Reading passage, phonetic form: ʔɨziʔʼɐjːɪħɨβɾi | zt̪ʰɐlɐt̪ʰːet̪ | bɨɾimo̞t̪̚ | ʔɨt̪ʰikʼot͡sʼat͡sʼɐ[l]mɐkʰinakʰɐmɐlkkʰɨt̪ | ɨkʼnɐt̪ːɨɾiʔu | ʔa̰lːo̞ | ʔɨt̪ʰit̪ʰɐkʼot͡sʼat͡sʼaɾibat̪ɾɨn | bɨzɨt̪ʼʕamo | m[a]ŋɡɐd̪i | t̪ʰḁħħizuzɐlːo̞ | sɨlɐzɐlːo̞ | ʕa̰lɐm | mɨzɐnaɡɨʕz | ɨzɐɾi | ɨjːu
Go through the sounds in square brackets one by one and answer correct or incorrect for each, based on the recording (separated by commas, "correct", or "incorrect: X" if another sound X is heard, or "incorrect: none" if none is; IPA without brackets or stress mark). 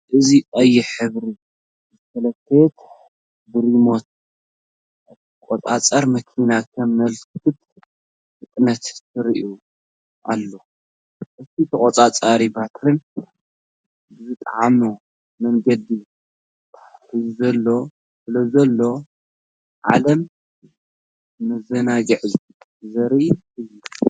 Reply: incorrect: ɾ, incorrect: ɐ